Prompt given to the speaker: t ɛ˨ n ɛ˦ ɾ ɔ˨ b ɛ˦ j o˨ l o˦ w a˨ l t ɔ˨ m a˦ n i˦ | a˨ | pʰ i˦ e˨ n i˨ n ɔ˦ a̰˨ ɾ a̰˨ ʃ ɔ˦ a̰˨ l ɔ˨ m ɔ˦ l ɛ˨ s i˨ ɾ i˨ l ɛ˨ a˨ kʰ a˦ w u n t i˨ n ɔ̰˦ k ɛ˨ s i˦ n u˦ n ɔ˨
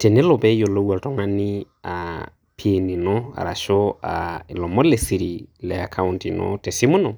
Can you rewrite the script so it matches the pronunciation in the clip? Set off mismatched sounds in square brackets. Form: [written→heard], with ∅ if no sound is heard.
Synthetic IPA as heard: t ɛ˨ n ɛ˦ [ɾ→l] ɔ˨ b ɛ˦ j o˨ l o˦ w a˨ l t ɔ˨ [m→ŋ] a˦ n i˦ | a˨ | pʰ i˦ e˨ n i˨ n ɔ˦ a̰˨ ɾ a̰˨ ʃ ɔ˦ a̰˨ l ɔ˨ m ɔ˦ l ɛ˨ s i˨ ɾ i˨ l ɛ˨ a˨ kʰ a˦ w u n t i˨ n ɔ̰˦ [k→t] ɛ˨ s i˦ [n→m] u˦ n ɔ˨